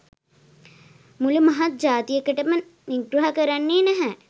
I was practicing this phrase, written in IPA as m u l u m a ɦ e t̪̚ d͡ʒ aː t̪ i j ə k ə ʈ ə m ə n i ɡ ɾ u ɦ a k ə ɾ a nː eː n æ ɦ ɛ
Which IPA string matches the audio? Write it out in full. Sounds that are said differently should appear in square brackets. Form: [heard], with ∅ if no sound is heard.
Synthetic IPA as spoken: m u l u m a ɦ [a] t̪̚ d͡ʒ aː t̪ i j ə k ə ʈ ə m ə n i ɡ ɾ u ɦ a k ə ɾ a nː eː n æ ɦ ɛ